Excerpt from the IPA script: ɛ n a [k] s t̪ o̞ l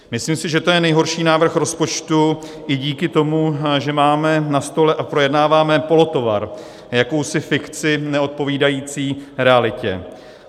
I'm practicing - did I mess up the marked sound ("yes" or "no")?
yes